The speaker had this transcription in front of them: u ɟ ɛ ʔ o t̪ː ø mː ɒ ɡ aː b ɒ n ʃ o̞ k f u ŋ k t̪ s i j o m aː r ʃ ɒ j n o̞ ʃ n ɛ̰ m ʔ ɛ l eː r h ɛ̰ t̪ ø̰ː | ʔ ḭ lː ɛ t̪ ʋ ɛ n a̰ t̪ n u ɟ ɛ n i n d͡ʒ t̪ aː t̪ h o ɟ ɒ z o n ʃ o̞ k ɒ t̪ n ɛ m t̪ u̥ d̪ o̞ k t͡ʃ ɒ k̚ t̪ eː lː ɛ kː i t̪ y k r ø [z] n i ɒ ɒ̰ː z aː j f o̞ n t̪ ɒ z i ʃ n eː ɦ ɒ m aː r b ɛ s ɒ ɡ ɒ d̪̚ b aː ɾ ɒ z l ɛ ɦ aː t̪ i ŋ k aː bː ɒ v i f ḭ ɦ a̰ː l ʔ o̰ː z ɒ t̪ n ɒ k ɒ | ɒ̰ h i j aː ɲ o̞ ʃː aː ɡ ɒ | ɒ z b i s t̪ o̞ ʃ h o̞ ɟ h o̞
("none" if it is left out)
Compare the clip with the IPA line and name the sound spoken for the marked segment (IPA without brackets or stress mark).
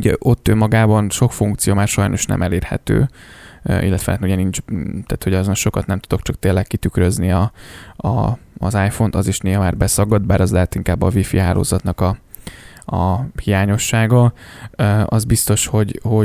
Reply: z